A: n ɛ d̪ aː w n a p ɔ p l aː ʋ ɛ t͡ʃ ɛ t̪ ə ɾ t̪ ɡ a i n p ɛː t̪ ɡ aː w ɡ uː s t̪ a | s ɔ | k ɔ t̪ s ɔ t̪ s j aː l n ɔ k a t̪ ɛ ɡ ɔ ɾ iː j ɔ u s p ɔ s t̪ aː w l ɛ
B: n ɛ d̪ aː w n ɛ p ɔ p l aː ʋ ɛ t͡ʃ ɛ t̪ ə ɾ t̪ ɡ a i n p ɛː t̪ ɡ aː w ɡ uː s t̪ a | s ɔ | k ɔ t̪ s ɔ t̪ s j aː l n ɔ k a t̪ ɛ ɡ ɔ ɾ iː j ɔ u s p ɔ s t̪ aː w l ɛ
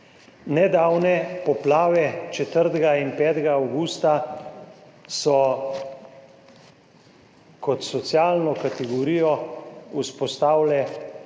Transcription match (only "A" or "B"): B